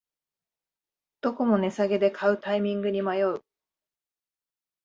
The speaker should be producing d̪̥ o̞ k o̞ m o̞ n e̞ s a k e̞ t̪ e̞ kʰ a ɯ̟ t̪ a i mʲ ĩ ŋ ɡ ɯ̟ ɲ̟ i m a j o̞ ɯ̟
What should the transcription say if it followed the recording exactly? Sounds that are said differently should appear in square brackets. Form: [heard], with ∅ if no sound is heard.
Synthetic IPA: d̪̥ o̞ k o̞ m o̞ n e̞ s a [ɡ] e̞ [d̪] e̞ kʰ a ɯ̟ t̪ a i mʲ ĩ ŋ ɡ ɯ̟ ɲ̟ i m a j o̞ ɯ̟